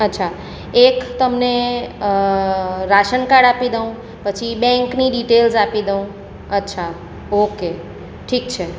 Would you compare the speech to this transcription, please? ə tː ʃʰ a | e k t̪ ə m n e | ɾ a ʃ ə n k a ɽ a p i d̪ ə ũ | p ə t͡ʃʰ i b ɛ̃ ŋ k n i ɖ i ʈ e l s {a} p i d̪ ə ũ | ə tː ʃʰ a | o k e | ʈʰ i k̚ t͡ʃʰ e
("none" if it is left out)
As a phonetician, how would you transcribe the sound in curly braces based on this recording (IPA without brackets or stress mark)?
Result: a